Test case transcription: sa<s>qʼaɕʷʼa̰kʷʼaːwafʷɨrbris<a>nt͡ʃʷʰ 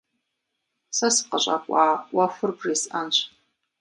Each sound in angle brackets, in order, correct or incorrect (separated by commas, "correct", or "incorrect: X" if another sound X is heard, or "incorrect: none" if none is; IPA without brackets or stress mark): correct, correct